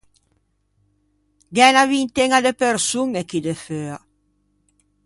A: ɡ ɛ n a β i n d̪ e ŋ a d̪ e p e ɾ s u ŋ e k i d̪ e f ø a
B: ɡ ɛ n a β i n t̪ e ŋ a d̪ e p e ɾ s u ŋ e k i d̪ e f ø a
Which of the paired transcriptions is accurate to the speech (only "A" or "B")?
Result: B